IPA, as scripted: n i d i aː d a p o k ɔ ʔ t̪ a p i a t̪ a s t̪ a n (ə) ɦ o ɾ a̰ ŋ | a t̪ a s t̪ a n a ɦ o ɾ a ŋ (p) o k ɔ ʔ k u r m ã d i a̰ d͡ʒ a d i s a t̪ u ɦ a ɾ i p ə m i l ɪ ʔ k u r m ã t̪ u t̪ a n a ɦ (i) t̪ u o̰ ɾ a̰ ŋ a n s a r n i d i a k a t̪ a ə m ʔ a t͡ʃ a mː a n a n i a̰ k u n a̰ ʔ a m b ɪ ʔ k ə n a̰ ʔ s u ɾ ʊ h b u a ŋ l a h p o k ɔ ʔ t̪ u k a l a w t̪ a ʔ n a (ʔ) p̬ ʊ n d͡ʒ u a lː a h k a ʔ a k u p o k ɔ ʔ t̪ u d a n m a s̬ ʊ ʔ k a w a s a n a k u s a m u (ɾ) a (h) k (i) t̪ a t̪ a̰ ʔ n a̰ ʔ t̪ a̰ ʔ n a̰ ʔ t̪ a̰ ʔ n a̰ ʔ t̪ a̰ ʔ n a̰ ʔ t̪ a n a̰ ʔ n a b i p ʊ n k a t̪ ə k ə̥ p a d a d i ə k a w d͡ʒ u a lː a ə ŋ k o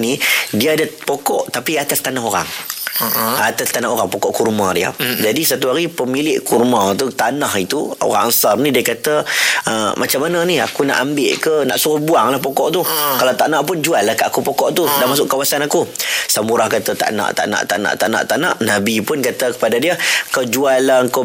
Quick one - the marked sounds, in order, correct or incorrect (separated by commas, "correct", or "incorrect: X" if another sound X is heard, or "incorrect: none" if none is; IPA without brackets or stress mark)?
incorrect: a, correct, correct, correct, correct, correct, incorrect: a